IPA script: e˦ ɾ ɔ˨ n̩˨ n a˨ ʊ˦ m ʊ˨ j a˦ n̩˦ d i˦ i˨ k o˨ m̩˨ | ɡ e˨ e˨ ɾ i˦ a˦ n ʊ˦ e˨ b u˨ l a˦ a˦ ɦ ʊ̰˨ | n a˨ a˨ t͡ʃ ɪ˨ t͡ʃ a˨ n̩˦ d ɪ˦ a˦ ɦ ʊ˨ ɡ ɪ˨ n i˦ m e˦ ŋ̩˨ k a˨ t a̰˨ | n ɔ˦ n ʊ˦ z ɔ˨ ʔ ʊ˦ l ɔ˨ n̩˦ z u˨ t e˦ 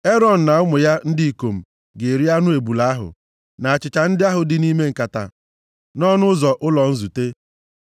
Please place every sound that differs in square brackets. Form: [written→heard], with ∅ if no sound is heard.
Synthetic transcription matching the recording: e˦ ɾ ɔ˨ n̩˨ n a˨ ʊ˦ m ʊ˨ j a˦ n̩˦ d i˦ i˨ k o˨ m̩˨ | ɡ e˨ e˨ ɾ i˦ a˦ n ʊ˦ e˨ b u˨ l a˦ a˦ ɦ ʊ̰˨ | n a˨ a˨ t͡ʃ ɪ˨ t͡ʃ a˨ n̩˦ d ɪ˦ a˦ ɦ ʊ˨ [ɡ→d] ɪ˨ n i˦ m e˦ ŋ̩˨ k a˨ t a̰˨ | n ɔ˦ n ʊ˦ z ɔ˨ ʔ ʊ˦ l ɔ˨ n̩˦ z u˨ t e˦